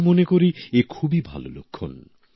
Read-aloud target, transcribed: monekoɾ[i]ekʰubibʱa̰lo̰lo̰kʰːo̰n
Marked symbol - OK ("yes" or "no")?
yes